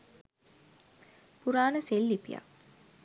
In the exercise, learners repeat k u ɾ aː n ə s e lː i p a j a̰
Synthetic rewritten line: p u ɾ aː n ə s e lː i p i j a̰